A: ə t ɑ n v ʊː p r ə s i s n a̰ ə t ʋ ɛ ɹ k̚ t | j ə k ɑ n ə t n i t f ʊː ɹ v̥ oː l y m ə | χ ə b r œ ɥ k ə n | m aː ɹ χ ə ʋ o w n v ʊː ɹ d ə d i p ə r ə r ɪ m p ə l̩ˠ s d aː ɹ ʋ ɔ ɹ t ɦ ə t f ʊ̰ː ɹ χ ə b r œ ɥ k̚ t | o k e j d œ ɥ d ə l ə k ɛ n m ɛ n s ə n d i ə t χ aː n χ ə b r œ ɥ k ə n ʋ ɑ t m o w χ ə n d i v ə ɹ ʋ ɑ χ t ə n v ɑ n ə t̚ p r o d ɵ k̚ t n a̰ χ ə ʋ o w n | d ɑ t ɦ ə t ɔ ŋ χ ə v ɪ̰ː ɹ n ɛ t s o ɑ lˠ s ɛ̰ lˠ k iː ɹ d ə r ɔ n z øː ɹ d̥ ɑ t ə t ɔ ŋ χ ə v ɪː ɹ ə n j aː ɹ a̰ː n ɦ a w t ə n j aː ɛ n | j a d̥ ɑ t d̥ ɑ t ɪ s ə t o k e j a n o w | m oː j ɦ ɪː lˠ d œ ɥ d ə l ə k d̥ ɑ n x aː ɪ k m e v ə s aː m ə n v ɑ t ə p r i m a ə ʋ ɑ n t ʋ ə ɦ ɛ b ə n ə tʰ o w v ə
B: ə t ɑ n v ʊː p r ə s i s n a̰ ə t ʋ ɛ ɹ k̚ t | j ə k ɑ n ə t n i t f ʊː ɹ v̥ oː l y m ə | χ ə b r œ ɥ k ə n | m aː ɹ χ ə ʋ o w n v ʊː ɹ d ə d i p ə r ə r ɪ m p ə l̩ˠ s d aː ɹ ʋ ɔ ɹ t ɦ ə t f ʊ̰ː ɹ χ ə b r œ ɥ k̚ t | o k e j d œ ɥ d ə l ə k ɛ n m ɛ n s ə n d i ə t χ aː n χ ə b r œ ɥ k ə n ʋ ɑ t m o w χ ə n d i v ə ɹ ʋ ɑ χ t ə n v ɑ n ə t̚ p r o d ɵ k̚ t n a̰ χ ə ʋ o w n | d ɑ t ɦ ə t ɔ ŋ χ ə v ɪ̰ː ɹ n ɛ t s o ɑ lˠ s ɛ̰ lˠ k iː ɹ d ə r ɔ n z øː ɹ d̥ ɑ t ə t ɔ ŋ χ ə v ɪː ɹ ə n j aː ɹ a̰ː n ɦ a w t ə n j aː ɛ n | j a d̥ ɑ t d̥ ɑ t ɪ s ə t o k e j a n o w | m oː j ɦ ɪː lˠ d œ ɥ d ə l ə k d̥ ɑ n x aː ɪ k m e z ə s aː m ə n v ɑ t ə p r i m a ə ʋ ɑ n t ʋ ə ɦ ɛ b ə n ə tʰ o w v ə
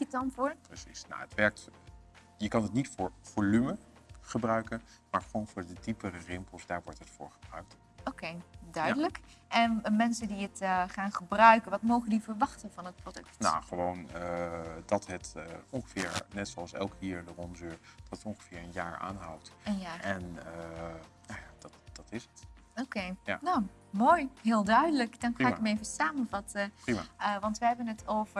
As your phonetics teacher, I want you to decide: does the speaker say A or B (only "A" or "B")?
A